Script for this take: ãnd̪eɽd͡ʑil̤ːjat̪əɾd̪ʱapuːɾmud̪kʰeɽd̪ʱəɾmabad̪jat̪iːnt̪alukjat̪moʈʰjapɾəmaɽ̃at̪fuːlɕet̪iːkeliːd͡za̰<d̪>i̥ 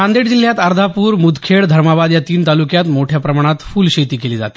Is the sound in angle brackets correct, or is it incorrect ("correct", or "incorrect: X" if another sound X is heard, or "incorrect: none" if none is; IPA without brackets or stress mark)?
incorrect: t̪